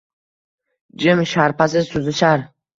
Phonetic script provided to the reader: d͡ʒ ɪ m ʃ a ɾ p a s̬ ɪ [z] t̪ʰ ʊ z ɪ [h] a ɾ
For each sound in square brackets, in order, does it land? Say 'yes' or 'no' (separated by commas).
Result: yes, no